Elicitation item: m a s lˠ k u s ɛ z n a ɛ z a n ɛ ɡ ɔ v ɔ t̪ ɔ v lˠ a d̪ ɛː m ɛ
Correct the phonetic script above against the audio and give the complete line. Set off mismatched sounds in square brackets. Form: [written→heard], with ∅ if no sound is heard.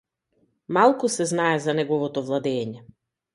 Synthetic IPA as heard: m a [s→∅] lˠ k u s ɛ z n a ɛ z a n ɛ ɡ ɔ v ɔ t̪ ɔ v lˠ a d̪ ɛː [m→ɲ] ɛ